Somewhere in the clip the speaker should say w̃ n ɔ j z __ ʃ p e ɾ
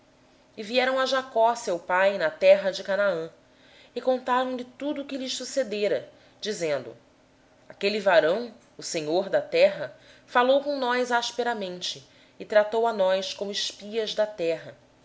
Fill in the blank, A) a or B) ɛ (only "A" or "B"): A